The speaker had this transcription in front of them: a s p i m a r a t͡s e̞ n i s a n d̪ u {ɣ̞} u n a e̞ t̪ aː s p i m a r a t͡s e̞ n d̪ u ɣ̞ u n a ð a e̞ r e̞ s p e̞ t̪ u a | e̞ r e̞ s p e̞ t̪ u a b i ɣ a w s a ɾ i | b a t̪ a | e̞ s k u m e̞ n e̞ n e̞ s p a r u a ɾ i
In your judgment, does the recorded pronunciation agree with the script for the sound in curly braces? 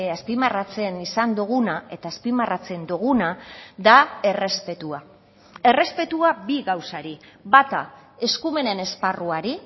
yes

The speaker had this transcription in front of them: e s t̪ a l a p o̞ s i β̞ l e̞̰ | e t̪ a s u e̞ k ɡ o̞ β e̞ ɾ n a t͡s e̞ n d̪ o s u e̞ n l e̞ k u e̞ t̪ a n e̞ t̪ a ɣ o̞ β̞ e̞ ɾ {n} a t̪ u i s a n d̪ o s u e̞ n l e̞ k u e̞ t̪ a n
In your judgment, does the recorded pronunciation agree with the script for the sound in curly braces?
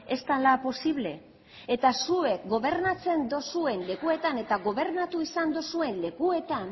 yes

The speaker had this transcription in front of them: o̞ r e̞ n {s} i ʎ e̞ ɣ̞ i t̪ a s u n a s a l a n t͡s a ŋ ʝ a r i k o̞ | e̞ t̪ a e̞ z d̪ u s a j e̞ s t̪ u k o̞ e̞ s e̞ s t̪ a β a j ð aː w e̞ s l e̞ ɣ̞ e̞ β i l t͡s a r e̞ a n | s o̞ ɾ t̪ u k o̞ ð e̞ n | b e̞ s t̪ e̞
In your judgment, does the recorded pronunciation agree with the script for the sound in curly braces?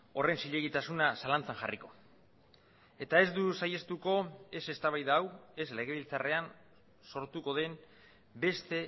yes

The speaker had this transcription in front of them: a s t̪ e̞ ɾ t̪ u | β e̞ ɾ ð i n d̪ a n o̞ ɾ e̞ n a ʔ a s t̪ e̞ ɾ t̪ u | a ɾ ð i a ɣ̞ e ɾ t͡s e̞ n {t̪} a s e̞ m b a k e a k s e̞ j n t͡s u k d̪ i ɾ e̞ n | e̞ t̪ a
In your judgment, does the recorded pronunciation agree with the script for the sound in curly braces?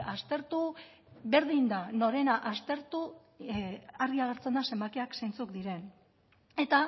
no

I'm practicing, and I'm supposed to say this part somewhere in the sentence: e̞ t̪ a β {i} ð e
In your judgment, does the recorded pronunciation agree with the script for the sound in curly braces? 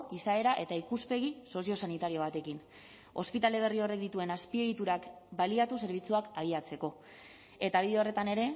yes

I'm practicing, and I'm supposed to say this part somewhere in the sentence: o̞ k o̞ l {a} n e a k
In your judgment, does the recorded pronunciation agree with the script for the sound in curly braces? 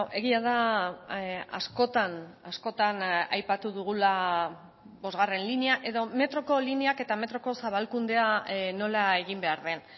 no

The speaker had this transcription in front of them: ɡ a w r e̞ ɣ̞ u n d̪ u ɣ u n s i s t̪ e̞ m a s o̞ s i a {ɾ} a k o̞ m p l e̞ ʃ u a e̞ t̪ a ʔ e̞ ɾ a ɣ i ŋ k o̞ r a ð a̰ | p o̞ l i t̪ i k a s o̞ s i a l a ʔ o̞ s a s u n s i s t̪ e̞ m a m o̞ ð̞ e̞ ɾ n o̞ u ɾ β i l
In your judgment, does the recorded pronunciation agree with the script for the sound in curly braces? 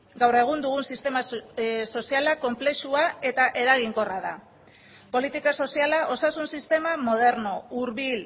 no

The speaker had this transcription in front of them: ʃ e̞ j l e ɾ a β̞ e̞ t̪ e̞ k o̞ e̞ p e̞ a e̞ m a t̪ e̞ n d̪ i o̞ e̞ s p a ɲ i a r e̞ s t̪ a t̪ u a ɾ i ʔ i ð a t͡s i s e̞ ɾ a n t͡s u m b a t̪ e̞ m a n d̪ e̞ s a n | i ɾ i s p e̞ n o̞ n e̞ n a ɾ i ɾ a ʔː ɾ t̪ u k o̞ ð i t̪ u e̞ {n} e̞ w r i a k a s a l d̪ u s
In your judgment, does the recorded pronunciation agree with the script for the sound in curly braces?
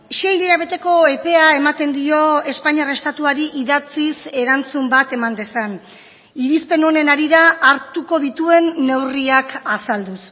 no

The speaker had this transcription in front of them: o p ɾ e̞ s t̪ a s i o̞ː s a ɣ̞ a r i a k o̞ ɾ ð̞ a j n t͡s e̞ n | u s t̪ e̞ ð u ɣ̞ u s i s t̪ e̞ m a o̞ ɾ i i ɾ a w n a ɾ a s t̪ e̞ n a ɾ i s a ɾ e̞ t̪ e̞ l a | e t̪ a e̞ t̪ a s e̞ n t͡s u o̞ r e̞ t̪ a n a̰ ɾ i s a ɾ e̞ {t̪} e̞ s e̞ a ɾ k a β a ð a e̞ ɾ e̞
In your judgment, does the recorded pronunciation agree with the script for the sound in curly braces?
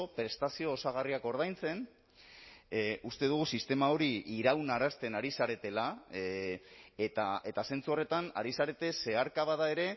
yes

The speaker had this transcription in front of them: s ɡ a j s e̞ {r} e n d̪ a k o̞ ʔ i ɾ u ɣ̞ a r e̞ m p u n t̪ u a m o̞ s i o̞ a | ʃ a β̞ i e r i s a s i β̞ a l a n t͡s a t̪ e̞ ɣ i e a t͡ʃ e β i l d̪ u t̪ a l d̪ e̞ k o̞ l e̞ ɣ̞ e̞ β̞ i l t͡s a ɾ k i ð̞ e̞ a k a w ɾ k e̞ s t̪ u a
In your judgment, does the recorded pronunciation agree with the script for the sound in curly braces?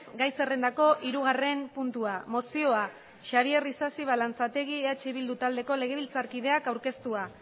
yes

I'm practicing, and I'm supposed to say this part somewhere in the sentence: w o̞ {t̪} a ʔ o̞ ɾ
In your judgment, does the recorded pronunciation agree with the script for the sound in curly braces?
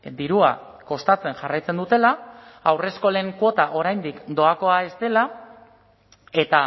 yes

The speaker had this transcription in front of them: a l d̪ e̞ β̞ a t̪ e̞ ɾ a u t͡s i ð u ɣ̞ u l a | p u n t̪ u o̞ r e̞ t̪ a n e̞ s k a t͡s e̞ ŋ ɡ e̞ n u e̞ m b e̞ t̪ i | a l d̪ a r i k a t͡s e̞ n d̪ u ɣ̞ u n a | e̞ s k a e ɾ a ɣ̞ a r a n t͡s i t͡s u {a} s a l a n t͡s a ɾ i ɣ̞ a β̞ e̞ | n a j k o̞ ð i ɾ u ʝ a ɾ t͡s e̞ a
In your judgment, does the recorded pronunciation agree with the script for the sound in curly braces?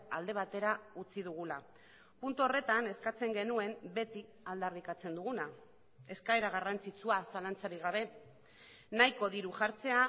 yes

